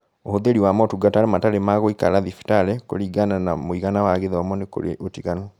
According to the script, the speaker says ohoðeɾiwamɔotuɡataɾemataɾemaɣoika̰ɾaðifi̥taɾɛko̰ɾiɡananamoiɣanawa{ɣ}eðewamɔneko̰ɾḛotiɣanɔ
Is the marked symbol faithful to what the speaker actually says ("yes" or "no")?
yes